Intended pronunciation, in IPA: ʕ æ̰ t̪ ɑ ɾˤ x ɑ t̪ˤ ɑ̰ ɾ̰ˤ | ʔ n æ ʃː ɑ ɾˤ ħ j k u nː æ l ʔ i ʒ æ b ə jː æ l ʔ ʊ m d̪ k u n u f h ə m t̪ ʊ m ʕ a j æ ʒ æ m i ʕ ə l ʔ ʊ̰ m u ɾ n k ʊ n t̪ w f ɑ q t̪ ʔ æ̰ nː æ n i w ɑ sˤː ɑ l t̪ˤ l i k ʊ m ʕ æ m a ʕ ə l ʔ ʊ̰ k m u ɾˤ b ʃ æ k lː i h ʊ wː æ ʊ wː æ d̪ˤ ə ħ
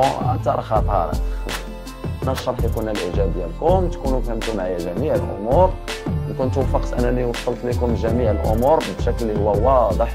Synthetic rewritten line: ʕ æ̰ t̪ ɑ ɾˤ x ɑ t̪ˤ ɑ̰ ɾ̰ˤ | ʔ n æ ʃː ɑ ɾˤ ħ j k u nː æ l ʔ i ʒ æ b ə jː æ l k ʊ m t̪ k u n u f h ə m t̪ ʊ m ʕ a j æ ʒ æ m i ʕ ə l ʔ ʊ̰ m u ɾ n k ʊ n t̪ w f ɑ q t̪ ʔ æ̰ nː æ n i w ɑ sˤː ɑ l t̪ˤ l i k ʊ m ʒ æ m i ʕ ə l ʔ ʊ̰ m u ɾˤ b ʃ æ k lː i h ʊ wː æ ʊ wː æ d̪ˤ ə ħ

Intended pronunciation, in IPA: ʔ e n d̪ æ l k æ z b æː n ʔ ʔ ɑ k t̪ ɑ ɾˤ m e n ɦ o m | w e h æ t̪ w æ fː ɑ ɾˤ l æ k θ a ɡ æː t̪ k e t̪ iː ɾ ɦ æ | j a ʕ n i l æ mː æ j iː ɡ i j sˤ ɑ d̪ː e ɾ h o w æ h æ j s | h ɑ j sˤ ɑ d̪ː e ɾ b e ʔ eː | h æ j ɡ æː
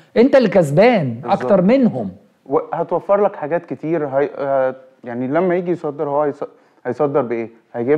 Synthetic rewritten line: ʔ e n t̪ æ l k æ z b æː n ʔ ʔ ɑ k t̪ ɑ ɾˤ m e n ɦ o m | w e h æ t̪ w æ fː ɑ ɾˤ l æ k ħ a ɡ æː t̪ k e t̪ iː ɾ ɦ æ | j a ʕ n i l æ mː æ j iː ɡ i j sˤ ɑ d̪ː e ɾ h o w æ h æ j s | h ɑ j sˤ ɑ d̪ː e ɾ b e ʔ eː | h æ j ɡ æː

